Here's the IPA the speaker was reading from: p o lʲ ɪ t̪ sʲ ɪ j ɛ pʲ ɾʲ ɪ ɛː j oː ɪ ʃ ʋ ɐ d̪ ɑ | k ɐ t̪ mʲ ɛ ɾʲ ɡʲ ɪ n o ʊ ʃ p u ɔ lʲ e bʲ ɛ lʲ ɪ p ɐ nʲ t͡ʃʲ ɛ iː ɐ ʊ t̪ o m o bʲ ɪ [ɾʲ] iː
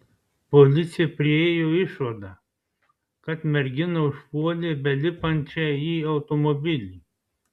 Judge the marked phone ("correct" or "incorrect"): incorrect